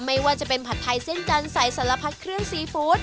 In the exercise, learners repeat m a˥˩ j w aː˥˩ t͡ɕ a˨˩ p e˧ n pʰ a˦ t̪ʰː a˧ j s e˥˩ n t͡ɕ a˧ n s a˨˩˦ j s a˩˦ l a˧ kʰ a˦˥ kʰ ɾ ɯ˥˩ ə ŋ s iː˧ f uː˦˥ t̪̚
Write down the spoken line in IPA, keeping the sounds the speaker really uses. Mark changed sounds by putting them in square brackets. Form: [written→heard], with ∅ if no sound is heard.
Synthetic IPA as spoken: m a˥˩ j w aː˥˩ t͡ɕ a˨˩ p e˧ n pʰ [a˦→a˨˩] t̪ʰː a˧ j s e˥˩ n t͡ɕ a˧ n s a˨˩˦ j s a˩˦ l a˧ [kʰ→pʰ] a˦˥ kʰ ɾ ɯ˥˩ ə ŋ s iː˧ f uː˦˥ t̪̚